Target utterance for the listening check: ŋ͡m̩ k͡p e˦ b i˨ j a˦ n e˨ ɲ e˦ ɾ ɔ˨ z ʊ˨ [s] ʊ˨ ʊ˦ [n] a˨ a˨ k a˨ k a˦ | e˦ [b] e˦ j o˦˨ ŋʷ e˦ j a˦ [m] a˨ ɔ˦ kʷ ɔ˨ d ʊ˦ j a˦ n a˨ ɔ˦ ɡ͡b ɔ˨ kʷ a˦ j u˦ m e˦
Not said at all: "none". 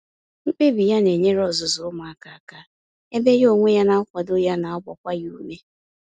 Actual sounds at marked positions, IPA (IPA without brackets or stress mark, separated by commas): z, m, b, n